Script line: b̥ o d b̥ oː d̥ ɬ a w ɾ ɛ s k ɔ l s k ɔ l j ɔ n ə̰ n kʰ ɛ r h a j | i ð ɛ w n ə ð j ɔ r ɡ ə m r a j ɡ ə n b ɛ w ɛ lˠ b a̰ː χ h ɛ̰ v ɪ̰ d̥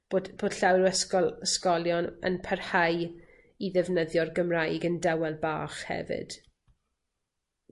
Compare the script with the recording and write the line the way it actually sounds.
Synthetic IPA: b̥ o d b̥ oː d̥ ɬ a w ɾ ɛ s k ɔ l s k ɔ l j ɔ n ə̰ n pʰ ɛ r h a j | i ð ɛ v n ə ð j ɔ r ɡ ə m r a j ɡ ə n d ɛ w ɛ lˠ b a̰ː χ h ɛ̰ v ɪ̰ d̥